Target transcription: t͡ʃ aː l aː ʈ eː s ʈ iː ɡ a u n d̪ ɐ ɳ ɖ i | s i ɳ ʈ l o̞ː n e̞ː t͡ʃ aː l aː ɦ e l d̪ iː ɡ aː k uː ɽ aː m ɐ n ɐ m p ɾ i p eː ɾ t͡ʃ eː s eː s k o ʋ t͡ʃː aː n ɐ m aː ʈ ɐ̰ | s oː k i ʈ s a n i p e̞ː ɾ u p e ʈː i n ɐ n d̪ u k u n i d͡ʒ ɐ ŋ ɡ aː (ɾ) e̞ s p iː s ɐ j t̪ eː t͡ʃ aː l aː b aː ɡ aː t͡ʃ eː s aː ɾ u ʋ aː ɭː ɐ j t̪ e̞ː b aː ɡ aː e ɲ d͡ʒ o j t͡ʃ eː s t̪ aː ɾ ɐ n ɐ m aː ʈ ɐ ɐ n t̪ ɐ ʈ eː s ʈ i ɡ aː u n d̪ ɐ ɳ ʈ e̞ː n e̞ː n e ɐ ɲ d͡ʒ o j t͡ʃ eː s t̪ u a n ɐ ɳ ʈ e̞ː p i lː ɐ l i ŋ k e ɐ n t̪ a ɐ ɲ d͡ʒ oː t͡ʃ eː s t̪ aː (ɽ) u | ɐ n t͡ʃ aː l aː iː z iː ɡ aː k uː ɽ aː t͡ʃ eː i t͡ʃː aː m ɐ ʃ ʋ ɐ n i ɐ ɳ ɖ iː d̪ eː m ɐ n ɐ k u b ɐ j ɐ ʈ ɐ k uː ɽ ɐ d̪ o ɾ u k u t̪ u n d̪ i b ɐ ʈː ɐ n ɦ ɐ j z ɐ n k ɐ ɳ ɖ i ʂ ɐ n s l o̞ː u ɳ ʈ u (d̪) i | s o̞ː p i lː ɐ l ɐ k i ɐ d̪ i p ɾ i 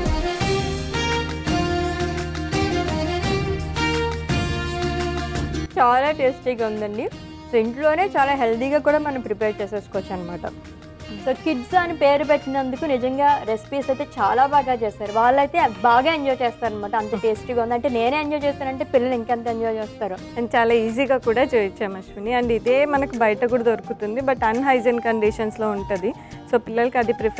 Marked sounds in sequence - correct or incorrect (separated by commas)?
correct, incorrect, correct